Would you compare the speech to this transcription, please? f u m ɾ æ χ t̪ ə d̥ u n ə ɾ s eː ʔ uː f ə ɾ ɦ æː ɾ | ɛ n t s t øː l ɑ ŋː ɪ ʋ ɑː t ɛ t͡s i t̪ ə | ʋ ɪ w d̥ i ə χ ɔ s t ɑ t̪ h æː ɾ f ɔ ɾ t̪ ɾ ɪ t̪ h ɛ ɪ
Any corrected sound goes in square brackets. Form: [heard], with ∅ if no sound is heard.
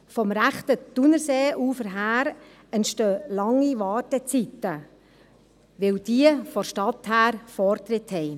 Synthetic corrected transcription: f [ɔ] m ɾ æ χ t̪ ə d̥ u n ə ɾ s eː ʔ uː f ə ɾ ɦ æː ɾ | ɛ n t [ʃ] t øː l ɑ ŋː [i] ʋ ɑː t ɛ t͡s i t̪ ə | ʋ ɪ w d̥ i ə [f] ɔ [ʃ] t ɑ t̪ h æː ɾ f ɔ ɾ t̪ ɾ ɪ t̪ h ɛ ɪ